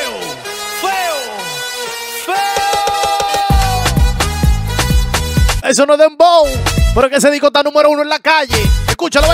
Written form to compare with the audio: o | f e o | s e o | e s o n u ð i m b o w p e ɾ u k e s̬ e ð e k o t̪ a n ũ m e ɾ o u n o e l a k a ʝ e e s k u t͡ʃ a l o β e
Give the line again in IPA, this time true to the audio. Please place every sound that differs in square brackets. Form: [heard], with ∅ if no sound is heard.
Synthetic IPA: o | f e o | [f] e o | e s o n [o] ð [e] m b o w p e ɾ [o] k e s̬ e ð [i] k o t̪ a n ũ m e ɾ o u n o e l a k a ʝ e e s k u t͡ʃ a l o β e